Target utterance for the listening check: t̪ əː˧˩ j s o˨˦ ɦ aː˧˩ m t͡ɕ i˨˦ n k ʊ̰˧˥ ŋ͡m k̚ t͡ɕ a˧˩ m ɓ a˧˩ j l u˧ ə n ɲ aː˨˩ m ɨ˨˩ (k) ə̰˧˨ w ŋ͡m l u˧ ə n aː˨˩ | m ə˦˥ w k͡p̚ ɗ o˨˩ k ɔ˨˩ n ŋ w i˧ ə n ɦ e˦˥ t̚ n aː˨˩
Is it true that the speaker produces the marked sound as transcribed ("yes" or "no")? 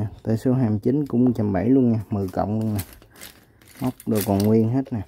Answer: yes